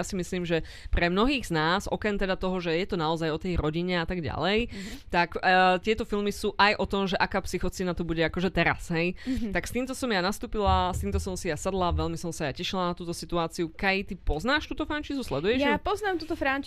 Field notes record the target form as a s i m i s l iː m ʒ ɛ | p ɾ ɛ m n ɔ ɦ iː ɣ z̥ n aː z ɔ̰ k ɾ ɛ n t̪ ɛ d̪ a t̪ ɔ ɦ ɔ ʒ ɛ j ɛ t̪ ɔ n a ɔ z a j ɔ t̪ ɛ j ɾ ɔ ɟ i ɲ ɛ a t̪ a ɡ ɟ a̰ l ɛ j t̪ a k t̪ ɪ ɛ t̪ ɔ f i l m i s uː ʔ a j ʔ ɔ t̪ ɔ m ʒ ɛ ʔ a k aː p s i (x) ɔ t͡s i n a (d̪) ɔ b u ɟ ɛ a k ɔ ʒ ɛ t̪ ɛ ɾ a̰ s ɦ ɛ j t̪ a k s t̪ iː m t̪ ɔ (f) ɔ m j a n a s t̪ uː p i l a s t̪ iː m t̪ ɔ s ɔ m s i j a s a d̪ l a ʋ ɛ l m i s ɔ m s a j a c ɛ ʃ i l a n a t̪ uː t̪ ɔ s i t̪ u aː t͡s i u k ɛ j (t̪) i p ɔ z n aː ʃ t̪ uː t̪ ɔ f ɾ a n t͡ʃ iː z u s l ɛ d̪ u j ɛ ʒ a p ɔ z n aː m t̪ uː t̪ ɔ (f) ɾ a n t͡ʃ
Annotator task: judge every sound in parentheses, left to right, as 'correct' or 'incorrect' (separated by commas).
correct, incorrect, incorrect, correct, correct